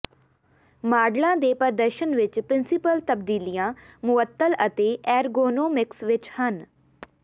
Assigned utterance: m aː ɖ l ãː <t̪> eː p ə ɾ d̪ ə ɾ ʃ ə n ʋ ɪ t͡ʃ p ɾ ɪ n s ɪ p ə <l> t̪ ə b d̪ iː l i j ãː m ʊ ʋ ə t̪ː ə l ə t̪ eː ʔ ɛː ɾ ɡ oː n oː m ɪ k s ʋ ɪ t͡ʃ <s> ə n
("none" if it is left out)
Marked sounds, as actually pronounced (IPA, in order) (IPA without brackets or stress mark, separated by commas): d̪, l, h